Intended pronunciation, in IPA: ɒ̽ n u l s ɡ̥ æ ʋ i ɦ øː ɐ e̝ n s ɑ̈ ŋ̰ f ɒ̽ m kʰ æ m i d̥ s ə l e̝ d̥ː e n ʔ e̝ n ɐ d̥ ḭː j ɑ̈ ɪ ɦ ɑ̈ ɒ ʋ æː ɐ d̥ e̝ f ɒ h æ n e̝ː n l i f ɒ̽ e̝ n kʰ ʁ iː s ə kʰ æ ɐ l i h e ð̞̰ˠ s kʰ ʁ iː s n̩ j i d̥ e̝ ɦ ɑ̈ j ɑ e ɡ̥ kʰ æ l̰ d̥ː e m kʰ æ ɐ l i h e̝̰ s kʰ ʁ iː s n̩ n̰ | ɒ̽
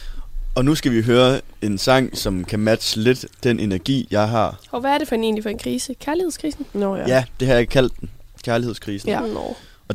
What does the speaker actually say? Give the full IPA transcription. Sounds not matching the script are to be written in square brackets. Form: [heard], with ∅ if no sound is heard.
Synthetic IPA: ɒ̽ n u [∅] s ɡ̥ æ ʋ i ɦ øː ɐ e̝ n s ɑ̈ ŋ̰ [s] ɒ̽ m kʰ æ m [æ] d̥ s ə l e̝ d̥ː e n ʔ e̝ n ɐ [ɡ̥] ḭː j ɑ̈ ɪ ɦ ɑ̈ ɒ ʋ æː ɐ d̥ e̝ f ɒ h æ n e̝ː n l i f ɒ̽ e̝ n kʰ ʁ iː s ə kʰ æ ɐ l i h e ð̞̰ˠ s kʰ ʁ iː s n̩ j [æ] d̥ e̝ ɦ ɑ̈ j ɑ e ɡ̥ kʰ æ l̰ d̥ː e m kʰ æ ɐ l i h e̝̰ s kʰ ʁ iː s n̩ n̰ | ɒ̽